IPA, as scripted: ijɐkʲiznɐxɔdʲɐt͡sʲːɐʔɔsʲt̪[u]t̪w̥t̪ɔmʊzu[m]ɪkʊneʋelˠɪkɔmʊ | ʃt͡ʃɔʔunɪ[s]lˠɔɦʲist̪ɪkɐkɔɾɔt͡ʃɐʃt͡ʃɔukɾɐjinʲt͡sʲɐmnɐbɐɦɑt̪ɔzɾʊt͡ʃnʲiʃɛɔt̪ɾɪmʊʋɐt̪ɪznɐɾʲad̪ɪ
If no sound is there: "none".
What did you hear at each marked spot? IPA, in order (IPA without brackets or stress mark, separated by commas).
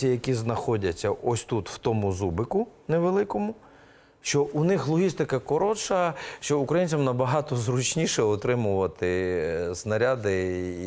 u, b, x